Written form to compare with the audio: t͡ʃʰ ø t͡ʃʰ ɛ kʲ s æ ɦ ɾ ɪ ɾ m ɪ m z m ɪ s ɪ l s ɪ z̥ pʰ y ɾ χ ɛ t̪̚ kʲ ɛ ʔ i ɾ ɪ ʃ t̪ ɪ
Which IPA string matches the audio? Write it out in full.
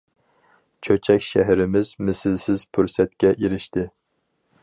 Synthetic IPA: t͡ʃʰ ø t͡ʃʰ ɛ kʲ ʃ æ ɦ ɾ ɪ m ɪ z m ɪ s ɪ l s ɪ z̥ pʰ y ɾ s ɛ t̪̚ kʲ ɛ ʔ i ɾ ɪ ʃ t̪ ɪ